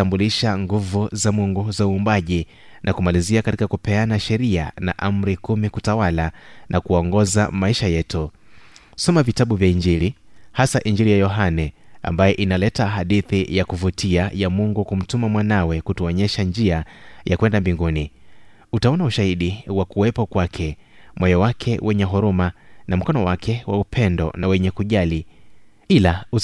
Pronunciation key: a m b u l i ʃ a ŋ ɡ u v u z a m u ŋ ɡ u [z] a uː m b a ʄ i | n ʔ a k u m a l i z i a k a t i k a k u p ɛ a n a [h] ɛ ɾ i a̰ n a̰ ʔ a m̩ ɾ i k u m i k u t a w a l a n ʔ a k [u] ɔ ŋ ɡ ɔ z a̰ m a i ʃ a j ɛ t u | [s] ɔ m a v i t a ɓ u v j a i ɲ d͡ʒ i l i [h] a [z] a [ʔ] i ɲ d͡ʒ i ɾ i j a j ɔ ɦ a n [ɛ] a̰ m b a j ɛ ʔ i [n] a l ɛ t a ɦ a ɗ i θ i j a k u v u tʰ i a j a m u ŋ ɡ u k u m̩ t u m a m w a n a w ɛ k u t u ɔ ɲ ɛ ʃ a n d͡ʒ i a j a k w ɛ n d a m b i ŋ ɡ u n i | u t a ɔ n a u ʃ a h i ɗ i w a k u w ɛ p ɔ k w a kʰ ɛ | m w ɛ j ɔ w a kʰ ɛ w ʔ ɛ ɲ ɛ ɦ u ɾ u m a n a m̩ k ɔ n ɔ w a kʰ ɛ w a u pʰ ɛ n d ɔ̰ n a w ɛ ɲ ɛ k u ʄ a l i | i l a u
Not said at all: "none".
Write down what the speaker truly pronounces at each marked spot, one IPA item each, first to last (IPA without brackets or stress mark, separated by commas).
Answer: z, ʃ, u, s, h, s, ʔ, ɛ, n